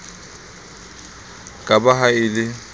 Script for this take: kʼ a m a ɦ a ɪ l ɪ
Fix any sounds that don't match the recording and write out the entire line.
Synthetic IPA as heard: kʼ a b a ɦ a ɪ l ɪ